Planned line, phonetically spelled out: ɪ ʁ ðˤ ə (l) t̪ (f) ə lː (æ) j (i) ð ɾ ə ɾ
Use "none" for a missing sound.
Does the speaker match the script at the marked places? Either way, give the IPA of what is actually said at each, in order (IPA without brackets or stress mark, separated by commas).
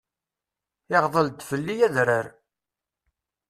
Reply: l, f, i, æ